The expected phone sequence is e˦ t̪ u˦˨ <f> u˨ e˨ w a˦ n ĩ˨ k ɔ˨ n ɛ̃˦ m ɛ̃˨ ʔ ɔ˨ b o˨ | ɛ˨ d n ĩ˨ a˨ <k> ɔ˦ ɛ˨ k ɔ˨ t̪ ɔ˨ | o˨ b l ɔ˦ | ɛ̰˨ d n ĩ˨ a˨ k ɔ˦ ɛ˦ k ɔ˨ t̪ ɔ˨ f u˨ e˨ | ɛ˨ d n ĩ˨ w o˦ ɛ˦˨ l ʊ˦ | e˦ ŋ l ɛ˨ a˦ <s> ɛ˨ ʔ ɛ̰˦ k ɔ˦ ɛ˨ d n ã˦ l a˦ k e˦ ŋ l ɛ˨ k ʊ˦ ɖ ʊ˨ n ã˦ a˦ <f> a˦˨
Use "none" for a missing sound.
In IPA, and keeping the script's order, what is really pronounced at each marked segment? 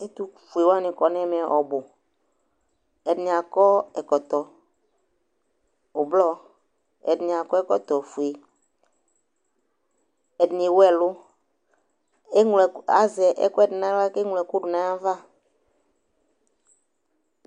f, k, z, v

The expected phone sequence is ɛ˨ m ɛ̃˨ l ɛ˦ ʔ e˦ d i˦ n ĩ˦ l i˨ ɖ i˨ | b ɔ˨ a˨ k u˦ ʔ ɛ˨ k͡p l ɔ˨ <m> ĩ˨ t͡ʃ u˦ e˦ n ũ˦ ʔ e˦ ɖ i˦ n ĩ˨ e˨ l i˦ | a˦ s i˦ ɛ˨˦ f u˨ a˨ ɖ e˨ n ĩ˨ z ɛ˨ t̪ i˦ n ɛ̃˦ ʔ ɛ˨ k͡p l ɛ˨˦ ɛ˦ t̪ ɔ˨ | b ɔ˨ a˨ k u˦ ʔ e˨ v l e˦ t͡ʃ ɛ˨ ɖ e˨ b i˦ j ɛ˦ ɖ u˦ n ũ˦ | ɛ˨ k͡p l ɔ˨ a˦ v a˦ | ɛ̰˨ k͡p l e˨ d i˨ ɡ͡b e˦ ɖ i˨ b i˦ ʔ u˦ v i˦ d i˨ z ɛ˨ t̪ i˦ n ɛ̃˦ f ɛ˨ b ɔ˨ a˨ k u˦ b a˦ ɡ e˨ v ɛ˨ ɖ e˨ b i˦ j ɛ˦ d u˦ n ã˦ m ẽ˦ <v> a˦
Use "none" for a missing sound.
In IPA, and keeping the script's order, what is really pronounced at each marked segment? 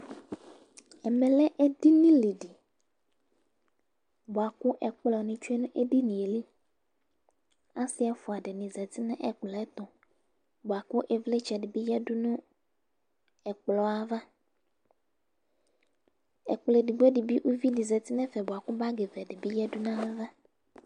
n, v

